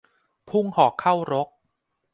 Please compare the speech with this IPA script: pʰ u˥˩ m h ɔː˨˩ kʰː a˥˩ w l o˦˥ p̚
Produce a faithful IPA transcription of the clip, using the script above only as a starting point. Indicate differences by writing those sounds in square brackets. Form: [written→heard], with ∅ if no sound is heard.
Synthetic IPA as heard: pʰ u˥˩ [m→ŋ] h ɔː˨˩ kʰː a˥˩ w [l→ɾ] o˦˥ [p̚→k̚]